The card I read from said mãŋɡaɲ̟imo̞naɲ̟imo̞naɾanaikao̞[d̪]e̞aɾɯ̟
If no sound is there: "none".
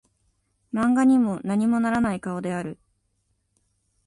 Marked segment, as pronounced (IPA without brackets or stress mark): d̪